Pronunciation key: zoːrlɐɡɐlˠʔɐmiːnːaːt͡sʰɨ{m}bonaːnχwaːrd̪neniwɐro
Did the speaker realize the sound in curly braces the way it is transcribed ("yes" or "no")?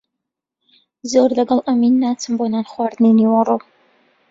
yes